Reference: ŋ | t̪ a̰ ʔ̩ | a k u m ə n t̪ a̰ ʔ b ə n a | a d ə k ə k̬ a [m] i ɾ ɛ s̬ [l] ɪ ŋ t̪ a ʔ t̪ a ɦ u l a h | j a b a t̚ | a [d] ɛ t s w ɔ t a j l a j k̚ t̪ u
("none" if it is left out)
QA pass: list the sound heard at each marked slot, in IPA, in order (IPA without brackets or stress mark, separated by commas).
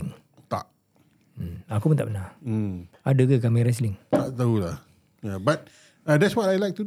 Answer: m, l, d